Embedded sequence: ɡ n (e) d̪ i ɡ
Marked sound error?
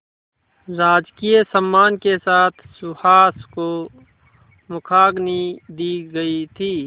yes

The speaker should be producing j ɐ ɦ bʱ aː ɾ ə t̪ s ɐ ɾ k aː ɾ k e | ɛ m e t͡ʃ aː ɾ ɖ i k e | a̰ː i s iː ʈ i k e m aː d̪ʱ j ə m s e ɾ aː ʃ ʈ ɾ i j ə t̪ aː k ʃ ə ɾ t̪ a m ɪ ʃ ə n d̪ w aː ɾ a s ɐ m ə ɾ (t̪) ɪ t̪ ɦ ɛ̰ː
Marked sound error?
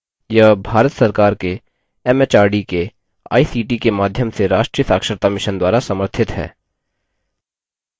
yes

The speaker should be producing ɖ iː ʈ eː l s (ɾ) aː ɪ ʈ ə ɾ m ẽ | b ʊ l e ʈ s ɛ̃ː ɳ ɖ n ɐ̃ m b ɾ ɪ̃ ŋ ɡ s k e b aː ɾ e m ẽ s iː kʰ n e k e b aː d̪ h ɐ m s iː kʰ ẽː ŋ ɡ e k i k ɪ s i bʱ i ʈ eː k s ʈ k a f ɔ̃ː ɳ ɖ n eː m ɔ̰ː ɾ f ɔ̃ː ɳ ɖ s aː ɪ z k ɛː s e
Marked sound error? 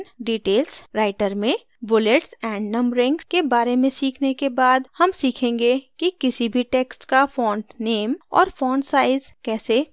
no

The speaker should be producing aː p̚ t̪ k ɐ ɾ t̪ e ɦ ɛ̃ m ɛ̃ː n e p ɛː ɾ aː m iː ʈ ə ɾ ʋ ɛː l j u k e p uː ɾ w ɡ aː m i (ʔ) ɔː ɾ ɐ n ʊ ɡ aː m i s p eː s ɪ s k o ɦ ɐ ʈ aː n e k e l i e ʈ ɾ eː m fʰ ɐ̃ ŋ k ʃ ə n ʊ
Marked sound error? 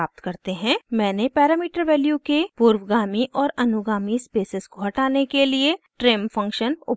no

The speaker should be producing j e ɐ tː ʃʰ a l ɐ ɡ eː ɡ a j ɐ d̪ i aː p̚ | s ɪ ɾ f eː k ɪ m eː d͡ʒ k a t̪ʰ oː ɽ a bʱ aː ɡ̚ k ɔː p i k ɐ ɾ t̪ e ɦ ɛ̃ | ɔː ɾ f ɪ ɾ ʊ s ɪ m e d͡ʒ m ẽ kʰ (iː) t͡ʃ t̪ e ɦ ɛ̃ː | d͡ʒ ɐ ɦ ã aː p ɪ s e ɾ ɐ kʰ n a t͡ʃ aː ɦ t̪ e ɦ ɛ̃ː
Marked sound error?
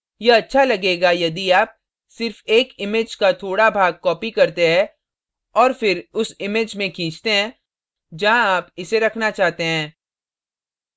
yes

